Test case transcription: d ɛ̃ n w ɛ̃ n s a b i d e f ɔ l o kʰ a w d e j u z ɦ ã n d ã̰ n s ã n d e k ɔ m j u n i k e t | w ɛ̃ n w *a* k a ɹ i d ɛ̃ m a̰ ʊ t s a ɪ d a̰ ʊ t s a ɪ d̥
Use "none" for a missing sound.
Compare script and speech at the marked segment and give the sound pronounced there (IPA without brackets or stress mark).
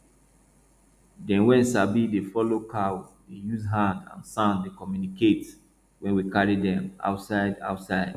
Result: i